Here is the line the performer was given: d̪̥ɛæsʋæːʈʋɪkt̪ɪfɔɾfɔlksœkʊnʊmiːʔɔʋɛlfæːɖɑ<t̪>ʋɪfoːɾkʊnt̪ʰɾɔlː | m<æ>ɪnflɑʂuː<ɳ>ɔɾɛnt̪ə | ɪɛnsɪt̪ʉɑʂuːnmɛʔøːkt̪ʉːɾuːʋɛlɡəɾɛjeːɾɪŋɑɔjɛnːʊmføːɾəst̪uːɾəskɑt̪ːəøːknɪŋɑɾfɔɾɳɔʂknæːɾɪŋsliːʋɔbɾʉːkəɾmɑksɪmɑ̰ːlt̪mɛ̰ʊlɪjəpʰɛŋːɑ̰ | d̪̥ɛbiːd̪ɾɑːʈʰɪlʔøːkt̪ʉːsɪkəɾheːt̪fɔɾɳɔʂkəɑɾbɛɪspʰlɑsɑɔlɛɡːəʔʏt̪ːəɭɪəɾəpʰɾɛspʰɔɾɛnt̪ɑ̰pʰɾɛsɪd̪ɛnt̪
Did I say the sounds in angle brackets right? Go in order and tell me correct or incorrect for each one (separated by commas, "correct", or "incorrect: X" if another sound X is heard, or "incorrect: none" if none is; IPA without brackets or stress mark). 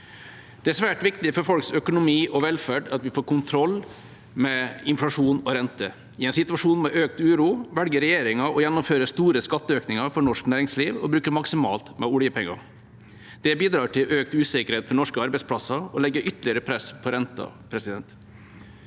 correct, incorrect: ɛ, incorrect: n